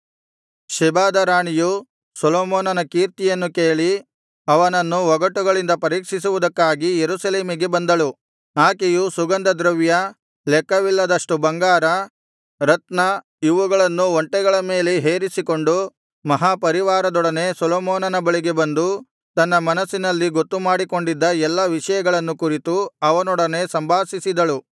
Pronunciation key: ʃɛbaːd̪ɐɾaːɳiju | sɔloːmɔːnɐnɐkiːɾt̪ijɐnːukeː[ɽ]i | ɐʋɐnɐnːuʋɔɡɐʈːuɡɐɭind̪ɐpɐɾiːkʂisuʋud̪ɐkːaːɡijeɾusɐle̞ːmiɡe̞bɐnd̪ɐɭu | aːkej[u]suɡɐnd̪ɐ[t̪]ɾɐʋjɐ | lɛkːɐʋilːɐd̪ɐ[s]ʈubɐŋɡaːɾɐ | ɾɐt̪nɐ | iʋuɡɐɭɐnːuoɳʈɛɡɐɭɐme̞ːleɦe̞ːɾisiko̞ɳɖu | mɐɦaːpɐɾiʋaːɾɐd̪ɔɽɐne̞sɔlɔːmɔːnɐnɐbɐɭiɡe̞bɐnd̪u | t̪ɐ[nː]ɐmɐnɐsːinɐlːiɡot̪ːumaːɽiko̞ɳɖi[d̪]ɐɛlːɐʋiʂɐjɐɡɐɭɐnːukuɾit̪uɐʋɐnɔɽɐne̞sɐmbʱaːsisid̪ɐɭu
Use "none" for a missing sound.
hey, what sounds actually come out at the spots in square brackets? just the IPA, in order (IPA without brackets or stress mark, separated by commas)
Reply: ɭ, u, d̪, ʂ, nː, d̪ː